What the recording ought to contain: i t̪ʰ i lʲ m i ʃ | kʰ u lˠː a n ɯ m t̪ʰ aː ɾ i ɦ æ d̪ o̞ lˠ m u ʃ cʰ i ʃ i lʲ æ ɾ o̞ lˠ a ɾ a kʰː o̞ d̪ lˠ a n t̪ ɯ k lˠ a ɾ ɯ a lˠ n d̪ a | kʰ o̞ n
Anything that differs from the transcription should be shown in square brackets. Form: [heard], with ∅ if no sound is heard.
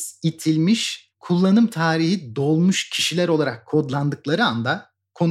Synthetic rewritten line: i t̪ʰ i lʲ m i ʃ | kʰ u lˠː a n ɯ m t̪ʰ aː ɾ i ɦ [i] d̪ o̞ lˠ m u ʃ cʰ i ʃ i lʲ æ ɾ o̞ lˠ a ɾ a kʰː o̞ d̪ lˠ a n [d̪] ɯ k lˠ a ɾ ɯ a [∅] n d̪ a | kʰ o̞ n